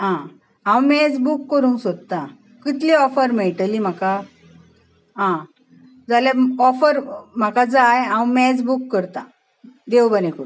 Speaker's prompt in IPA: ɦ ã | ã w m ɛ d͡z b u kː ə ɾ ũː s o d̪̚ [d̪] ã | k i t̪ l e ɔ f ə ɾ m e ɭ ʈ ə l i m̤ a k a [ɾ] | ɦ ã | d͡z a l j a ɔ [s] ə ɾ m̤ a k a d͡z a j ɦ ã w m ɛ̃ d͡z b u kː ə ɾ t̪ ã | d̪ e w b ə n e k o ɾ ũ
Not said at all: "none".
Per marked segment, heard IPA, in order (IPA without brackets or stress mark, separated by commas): t̪, none, f